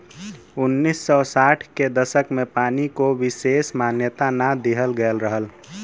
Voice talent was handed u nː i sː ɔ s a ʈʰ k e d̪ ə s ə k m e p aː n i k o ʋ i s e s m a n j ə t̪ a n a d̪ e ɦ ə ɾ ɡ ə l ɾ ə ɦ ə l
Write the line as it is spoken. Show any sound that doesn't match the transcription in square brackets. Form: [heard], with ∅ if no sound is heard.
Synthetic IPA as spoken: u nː i sː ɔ s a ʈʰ k e d̪ ə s ə k m e p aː n i k o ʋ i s e s m a n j ə t̪ a n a d̪ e ɦ ə [l] ɡ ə l ɾ ə ɦ ə l